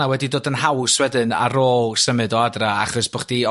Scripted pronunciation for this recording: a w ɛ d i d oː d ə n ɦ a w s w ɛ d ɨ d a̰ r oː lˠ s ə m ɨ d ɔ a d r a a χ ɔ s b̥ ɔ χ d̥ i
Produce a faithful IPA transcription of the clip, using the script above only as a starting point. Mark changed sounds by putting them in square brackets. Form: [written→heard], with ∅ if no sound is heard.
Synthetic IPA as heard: a w ɛ d i d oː d ə n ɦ a w s w ɛ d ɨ [d→n] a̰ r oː lˠ s ə m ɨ d ɔ a d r a a χ ɔ s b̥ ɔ χ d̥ i